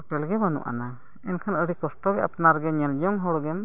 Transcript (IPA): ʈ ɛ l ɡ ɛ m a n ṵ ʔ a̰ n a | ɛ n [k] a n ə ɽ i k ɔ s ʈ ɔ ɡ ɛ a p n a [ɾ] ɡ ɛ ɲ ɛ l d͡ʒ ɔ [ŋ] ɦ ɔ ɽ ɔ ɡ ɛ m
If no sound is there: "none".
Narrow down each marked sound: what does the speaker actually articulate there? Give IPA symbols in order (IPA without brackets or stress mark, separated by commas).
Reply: kʰ, ɾ, ŋ